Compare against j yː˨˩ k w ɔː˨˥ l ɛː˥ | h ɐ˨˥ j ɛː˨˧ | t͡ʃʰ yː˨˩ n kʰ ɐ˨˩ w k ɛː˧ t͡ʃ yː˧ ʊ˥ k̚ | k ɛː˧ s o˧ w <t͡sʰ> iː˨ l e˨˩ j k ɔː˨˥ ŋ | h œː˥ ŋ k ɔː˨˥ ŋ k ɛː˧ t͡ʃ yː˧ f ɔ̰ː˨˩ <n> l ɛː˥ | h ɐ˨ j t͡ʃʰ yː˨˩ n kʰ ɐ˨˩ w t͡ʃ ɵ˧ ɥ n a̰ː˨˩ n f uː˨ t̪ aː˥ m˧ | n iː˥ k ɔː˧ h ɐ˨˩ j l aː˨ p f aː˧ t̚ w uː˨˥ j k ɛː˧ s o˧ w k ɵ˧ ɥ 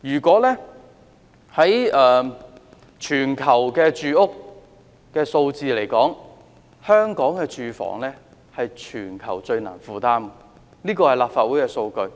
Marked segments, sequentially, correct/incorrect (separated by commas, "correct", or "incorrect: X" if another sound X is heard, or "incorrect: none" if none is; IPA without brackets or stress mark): incorrect: t͡s, incorrect: ŋ